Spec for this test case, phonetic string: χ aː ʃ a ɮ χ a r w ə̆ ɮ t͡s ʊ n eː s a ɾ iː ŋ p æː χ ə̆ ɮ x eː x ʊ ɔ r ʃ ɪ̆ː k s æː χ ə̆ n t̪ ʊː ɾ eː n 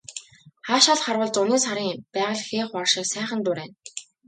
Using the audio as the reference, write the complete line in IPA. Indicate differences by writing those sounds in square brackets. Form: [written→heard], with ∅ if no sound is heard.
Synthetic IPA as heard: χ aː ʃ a ɮ χ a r w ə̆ ɮ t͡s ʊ n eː s a ɾ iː ŋ p æː [χ→ʁ] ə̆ ɮ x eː [x→χ] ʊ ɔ r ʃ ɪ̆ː k s æː χ ə̆ n t̪ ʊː ɾ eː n